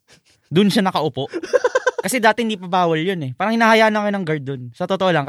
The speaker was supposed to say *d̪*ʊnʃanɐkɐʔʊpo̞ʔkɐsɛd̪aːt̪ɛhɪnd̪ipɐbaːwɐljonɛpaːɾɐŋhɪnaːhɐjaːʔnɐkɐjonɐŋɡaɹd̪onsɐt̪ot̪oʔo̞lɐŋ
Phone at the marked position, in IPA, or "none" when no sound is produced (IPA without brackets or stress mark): d̪